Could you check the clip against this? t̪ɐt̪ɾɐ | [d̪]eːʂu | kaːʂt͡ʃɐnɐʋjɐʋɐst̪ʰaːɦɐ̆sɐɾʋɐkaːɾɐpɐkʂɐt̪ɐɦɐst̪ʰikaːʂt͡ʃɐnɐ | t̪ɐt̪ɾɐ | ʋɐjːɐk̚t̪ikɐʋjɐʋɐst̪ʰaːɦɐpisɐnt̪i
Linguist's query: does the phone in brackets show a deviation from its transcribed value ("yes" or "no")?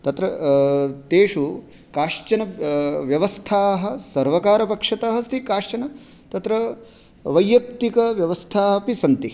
yes